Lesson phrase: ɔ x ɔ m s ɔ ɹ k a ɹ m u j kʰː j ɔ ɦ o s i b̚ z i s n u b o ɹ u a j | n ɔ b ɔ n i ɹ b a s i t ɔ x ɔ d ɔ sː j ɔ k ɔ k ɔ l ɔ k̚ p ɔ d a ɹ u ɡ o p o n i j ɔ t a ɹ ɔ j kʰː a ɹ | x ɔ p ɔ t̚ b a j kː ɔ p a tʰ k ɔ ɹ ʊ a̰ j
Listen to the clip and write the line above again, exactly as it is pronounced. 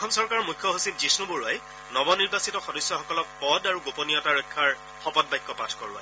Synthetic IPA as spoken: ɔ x ɔ m s ɔ ɹ k a ɹ m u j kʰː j ɔ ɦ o s i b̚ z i s n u b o ɹ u a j | n ɔ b ɔ n i ɹ b a s i t ɔ x ɔ d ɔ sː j ɔ x ɔ k ɔ l ɔ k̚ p ɔ d a ɹ u ɡ o p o n i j ɔ t a ɹ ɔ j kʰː a ɹ | x ɔ p ɔ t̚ b a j kː ɔ p a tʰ k ɔ ɹ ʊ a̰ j